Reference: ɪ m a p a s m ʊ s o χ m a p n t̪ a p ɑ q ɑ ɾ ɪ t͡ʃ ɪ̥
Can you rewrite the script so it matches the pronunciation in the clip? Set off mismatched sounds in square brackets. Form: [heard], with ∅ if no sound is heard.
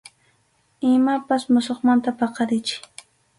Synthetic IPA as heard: ɪ m a p a s m ʊ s o χ m a [∅] n t̪ a p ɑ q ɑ ɾ ɪ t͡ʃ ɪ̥